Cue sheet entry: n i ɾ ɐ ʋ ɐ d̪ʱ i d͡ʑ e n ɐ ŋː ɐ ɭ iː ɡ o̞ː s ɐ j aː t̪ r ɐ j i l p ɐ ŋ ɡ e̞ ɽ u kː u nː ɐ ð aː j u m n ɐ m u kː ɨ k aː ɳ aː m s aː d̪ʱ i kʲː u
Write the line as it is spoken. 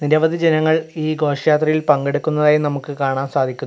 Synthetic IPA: n i ɾ ɐ ʋ ɐ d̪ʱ i d͡ʑ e n ɐ ŋː ɐ ɭ iː ɡ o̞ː ʂ ɐ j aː t̪ r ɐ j i l p ɐ ŋ ɡ e̞ ɽ u kː u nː ɐ ð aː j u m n ɐ m u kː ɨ k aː ɳ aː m s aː d̪ʱ i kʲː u